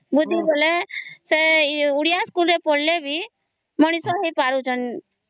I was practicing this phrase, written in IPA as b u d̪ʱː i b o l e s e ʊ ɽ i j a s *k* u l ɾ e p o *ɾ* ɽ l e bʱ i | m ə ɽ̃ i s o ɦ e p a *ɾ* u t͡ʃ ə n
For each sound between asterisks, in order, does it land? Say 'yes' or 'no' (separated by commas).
yes, no, yes